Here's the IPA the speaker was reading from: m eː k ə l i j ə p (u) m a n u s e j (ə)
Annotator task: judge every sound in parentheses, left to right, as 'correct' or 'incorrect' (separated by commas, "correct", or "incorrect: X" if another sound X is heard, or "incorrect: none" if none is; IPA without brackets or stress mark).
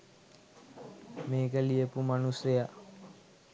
correct, incorrect: a